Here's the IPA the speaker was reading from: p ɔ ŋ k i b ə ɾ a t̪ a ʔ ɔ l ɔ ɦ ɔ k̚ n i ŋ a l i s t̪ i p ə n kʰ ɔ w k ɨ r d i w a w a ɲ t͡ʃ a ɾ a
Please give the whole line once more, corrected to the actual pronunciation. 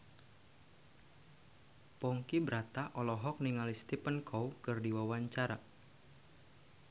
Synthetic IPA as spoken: p ɔ ŋ k i b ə ɾ a t̪ a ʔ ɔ l ɔ ɦ ɔ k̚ n i ŋ a l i s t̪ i p ə n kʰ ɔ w k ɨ r d i w a w a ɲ t͡ʃ a ɾ a